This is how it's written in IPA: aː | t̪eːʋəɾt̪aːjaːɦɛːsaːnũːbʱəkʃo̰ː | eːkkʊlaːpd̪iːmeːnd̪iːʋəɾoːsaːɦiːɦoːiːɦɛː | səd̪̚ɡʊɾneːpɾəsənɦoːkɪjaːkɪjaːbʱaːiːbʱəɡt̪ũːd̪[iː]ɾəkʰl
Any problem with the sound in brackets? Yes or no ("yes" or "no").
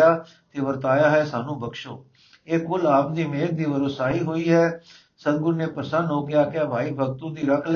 no